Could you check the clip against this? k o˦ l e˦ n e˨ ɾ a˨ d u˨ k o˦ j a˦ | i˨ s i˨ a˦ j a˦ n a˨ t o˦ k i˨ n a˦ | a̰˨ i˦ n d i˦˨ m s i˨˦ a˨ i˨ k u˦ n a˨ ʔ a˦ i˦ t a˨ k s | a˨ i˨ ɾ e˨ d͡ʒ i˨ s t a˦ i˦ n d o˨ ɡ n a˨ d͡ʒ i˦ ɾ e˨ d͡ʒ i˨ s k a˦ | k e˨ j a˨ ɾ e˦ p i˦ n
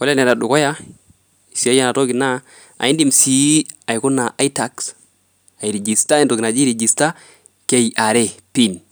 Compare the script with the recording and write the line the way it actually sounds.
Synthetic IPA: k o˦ l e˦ n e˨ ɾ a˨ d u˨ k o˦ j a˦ | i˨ s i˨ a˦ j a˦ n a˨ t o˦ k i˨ n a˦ | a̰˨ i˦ n d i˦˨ m s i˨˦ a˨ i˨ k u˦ n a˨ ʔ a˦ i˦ t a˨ k s | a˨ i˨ ɾ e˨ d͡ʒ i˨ s t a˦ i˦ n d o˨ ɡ n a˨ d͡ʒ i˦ ɾ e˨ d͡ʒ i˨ s t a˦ | k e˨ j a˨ ɾ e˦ p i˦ n